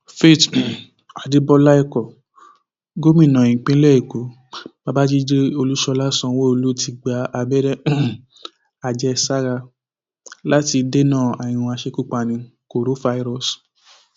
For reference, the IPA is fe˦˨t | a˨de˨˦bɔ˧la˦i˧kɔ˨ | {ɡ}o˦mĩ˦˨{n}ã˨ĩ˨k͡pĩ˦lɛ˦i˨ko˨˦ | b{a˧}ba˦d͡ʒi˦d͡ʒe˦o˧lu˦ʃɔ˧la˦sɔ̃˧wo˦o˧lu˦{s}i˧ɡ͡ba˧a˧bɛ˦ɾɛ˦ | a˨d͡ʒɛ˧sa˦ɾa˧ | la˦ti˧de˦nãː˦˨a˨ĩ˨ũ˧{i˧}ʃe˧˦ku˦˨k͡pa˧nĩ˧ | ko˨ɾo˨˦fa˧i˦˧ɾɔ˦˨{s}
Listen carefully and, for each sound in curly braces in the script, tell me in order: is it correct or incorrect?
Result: correct, correct, correct, incorrect: t, incorrect: a˧, correct

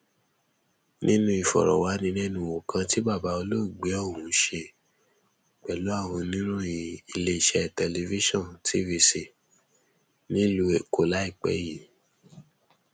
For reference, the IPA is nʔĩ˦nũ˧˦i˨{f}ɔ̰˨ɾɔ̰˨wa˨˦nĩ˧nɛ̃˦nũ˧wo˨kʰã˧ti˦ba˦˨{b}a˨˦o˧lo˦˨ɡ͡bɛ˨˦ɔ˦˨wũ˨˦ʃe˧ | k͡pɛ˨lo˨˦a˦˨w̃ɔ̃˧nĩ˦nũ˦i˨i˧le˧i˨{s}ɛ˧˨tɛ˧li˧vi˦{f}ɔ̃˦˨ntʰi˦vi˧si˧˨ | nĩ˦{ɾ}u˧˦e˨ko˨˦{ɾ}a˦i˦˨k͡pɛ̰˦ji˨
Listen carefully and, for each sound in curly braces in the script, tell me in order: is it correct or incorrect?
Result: correct, correct, incorrect: ʃ, incorrect: ʃ, incorrect: l, incorrect: l

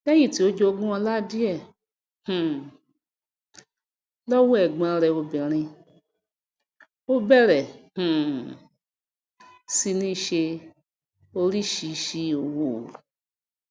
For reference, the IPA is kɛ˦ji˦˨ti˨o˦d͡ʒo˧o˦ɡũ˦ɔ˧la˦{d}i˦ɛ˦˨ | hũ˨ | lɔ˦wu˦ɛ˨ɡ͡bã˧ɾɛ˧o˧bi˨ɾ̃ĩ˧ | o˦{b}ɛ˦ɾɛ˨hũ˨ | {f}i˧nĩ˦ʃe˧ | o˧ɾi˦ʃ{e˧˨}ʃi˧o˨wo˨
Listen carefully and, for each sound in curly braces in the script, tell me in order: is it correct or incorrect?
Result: correct, correct, incorrect: s, incorrect: i˧˨

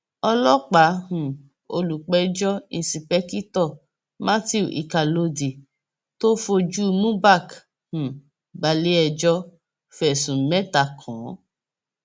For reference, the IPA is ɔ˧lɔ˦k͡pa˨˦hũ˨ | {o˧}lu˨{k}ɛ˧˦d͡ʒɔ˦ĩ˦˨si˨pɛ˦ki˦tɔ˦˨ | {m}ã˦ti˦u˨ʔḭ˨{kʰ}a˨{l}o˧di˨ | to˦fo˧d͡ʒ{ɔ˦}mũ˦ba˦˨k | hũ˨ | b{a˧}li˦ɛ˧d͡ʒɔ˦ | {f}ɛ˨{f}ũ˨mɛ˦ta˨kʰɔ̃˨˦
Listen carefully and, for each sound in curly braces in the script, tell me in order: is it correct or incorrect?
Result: correct, incorrect: k͡p, correct, incorrect: k, correct, incorrect: u˦, correct, correct, incorrect: s

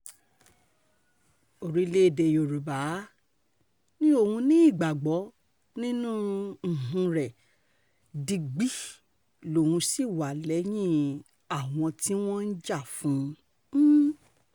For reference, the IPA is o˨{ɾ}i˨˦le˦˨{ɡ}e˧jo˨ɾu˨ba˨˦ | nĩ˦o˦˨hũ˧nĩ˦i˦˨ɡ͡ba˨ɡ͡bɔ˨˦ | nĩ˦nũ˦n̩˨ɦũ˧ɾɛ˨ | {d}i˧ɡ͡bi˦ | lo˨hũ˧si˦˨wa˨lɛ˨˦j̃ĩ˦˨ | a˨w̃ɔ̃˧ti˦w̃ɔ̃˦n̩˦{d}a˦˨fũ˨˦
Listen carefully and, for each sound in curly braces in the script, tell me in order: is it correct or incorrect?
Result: correct, incorrect: d, correct, incorrect: d͡ʒ

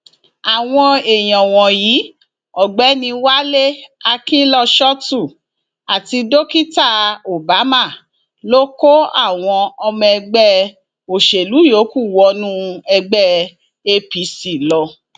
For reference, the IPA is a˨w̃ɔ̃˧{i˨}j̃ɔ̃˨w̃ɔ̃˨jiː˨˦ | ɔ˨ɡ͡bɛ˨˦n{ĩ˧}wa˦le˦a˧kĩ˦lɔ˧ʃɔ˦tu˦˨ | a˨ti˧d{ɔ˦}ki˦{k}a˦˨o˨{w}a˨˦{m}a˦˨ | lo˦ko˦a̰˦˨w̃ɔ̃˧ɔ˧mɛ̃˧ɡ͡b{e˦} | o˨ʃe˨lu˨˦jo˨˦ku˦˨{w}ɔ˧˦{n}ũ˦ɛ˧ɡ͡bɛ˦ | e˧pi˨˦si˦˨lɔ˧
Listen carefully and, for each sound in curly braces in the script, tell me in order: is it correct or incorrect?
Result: incorrect: e˨, correct, incorrect: o˦, incorrect: t, incorrect: b, correct, incorrect: ɛ˦, correct, correct

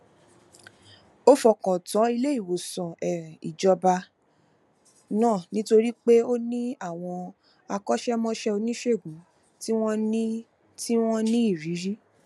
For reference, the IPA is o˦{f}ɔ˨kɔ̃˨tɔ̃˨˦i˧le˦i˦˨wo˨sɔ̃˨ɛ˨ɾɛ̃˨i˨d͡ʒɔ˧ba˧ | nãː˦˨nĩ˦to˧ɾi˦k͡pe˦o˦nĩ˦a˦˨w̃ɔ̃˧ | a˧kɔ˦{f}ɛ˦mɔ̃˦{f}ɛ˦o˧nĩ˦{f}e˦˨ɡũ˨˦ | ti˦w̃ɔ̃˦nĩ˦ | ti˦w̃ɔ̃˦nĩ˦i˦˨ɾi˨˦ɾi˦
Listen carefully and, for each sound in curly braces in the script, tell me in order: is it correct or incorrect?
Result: correct, incorrect: ʃ, incorrect: ʃ, incorrect: ʃ

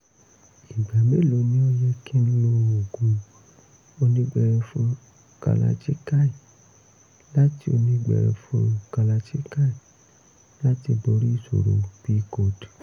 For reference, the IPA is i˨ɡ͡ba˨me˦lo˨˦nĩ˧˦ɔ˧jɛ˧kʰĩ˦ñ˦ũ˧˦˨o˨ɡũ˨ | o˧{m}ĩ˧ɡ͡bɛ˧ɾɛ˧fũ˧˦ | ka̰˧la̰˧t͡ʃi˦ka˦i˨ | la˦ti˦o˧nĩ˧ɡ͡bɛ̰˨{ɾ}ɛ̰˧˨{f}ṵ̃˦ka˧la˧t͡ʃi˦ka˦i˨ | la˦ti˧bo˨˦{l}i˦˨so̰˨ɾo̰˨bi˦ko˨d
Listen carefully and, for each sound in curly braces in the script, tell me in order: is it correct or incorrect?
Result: incorrect: n, correct, correct, incorrect: ɾ

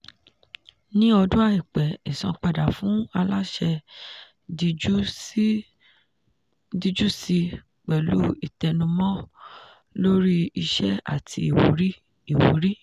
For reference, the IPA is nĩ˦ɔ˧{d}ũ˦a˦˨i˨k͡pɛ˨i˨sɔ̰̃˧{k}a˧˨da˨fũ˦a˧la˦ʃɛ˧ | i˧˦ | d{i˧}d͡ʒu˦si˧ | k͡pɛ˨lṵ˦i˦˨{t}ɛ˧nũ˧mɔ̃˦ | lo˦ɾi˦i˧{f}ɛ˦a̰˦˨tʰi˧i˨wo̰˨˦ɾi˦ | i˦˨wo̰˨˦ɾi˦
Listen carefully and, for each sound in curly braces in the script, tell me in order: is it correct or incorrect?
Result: correct, incorrect: k͡p, correct, correct, incorrect: ʃ

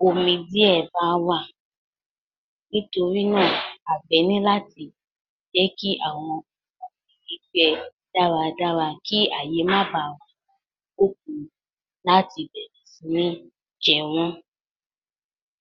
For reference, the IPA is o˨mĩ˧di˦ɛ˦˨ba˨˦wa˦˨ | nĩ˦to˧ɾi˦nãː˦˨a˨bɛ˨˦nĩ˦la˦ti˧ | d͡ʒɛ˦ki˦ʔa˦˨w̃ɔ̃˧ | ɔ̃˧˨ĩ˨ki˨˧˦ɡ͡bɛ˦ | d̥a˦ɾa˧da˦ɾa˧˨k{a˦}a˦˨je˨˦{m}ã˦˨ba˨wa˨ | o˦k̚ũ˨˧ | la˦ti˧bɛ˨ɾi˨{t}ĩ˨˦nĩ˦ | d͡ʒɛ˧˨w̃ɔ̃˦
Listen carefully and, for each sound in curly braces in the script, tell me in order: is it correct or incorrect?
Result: incorrect: i˦, correct, incorrect: s

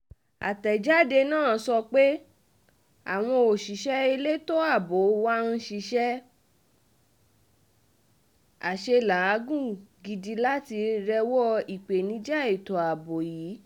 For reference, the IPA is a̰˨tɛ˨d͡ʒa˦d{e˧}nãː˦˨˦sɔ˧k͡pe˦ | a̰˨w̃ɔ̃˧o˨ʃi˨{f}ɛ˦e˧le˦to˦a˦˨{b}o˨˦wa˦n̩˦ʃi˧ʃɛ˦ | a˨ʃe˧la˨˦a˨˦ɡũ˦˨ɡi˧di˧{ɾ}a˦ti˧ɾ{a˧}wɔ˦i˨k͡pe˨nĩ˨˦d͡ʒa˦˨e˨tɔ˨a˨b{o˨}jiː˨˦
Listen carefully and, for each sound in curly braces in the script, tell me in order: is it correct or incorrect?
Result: correct, incorrect: ʃ, correct, incorrect: l, incorrect: ɛ˧, correct

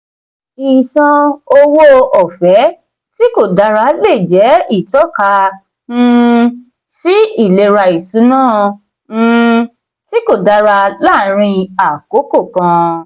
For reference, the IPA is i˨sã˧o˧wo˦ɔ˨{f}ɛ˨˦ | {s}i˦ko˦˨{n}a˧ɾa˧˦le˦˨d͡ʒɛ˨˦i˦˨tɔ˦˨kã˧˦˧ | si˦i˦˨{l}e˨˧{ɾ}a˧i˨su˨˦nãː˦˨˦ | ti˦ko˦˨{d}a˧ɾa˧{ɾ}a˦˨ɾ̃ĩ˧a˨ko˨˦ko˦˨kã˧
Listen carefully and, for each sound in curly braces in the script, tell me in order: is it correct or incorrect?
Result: correct, incorrect: t, incorrect: d, correct, correct, correct, incorrect: l

